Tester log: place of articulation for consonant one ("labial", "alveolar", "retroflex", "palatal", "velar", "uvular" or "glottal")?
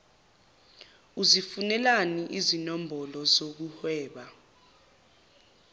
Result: alveolar